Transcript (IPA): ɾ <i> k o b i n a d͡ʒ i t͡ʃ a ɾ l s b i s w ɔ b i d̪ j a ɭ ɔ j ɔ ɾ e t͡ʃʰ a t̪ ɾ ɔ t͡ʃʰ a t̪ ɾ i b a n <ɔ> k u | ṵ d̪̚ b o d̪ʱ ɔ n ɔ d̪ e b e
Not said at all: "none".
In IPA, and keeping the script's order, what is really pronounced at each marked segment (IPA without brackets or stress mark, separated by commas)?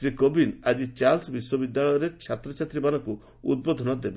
i, ɔ